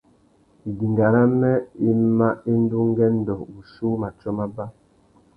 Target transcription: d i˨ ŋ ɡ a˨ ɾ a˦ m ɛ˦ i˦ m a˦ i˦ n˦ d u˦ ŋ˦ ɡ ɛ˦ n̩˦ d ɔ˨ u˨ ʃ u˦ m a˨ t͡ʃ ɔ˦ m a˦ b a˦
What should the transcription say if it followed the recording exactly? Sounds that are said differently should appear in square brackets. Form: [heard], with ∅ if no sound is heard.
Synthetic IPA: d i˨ ŋ ɡ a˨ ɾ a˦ m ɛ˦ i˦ m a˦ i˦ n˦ d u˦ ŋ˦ ɡ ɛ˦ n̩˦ d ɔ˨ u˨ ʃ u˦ m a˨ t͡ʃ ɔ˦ m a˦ b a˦

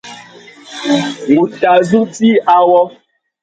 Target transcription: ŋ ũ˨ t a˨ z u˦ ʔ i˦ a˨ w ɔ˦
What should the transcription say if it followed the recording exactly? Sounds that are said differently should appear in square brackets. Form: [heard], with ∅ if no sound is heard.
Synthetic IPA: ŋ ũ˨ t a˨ z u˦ [t] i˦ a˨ w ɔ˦

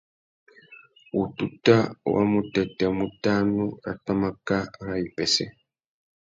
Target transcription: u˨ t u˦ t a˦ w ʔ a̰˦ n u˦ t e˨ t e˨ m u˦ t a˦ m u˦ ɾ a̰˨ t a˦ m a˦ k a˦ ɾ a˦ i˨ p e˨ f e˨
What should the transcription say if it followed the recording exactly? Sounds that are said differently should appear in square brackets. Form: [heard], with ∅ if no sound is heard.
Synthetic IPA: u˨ t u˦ t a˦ w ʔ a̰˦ [m] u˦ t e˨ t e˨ m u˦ t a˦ [n] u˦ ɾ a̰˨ t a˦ m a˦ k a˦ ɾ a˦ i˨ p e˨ [s] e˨

